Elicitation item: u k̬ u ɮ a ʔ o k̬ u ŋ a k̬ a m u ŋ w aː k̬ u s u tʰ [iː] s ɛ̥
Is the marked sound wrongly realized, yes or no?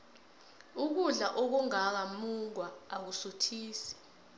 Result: no